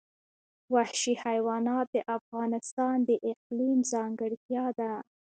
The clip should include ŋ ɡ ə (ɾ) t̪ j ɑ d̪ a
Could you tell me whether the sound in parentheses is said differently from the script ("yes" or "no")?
yes